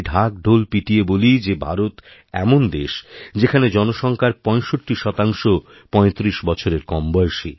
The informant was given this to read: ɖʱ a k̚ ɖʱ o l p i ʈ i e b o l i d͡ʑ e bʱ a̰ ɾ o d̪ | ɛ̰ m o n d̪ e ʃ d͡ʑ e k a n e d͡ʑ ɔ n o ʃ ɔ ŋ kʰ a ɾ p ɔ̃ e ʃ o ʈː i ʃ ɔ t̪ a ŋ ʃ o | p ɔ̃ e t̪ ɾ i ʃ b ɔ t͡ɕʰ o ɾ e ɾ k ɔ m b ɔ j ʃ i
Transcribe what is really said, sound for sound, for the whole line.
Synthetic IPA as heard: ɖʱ a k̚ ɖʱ o l p i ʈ i e b o l i d͡ʑ e bʱ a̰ ɾ o t̪ | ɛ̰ m o n d̪ e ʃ d͡ʑ e kʰ a n e d͡ʑ ɔ n o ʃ ɔ ŋ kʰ a ɾ p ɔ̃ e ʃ o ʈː i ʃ ɔ t̪ a ŋ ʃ o | p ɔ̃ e t̪ ɾ i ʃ b ɔ t͡ɕʰ o ɾ e ɾ k ɔ m b ɔ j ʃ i